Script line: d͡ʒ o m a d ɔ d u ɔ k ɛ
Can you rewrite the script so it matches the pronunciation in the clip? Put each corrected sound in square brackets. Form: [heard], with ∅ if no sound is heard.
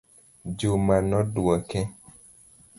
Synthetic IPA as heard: d͡ʒ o m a [n] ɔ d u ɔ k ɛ